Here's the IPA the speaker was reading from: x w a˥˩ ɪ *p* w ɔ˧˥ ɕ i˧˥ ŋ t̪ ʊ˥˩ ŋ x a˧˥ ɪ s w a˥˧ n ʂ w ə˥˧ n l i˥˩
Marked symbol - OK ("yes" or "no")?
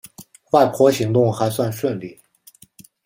no